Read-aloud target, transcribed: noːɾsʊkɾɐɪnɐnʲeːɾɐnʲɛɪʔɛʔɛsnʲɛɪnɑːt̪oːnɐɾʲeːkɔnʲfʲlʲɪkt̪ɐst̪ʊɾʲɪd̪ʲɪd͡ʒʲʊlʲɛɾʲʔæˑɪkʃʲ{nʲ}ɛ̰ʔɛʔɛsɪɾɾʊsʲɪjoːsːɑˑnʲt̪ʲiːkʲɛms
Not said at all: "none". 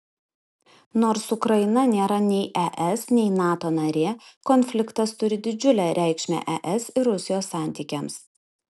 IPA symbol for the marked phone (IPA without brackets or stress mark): mʲ